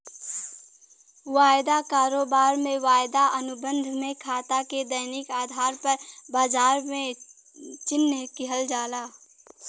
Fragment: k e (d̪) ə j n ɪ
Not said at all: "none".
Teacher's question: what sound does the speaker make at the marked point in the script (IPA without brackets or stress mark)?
d̪